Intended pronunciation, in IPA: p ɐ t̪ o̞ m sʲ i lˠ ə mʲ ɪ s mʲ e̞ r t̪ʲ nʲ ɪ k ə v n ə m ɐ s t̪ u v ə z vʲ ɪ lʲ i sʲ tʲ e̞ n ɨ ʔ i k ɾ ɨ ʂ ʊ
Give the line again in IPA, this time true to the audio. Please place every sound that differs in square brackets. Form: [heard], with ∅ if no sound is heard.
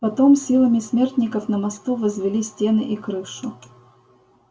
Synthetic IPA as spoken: p ɐ t̪ o̞ m sʲ i lˠ ə mʲ ɪ s mʲ e̞ r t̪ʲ nʲ ɪ k ə [f] n ə m ɐ s t̪ u v ə z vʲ ɪ lʲ i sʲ tʲ e̞ n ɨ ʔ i k ɾ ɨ ʂ ʊ